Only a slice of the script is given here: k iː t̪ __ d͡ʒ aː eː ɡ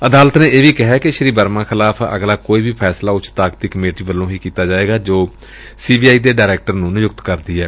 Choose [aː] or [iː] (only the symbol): aː